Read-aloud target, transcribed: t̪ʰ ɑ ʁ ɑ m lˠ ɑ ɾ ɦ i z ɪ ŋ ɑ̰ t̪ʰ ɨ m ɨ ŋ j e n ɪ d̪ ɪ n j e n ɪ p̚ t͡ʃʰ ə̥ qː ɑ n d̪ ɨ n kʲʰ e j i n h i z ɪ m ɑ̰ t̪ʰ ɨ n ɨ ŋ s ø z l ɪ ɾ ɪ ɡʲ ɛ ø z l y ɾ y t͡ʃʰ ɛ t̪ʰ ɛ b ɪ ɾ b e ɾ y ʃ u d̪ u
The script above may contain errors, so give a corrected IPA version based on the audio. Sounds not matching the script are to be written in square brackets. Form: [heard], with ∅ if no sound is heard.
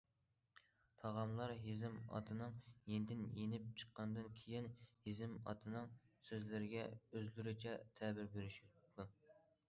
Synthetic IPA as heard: t̪ʰ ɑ ʁ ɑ m lˠ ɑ ɾ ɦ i z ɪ [m] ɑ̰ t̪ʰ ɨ [n] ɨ ŋ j e n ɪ d̪ ɪ n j e n ɪ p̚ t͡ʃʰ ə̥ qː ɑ n d̪ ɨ n kʲʰ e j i n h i z ɪ m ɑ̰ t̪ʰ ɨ n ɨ ŋ s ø z l ɪ ɾ ɪ ɡʲ ɛ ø z l y ɾ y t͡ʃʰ ɛ t̪ʰ ɛ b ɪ ɾ b e ɾ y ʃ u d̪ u

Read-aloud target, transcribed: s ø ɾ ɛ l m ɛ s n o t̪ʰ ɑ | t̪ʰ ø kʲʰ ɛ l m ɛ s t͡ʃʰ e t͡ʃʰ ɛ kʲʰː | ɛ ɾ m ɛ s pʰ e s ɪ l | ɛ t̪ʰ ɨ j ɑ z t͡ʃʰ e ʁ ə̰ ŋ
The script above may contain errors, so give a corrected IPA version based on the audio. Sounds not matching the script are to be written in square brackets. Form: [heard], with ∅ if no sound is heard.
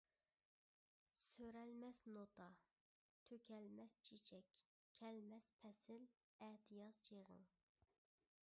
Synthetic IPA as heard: s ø ɾ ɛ l m ɛ s n o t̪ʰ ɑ | t̪ʰ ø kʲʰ ɛ l m ɛ s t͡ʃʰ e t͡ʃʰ ɛ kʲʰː | ɛ [l] m ɛ s pʰ [ɛ] s ɪ l | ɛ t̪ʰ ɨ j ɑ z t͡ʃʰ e ʁ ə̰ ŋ

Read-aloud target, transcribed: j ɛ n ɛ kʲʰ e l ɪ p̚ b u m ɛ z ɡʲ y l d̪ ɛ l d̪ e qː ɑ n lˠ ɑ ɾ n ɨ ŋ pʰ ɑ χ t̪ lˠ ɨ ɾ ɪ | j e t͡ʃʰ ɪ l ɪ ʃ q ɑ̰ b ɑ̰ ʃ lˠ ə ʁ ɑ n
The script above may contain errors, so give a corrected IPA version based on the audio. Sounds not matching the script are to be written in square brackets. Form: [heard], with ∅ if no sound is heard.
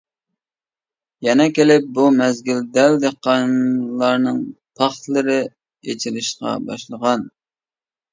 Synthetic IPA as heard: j ɛ n ɛ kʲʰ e l ɪ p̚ b u m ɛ z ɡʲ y l d̪ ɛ l d̪ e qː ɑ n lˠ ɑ ɾ n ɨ ŋ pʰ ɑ χ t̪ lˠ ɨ ɾ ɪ | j e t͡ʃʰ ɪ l ɪ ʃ q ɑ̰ b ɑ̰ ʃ lˠ ə ʁ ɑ n

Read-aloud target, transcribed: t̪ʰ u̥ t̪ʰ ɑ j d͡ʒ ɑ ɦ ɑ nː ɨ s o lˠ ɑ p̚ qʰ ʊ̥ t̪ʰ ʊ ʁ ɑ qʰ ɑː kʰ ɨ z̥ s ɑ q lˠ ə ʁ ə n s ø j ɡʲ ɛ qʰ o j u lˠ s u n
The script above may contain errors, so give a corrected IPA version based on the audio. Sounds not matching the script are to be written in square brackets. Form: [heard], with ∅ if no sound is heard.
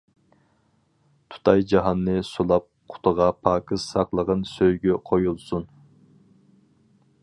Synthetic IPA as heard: t̪ʰ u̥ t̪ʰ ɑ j d͡ʒ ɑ ɦ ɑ nː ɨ s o lˠ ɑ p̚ qʰ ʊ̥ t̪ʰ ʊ ʁ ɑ [pʰ] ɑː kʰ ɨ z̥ s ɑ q lˠ ə ʁ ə n s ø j ɡʲ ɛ qʰ o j u lˠ s u n

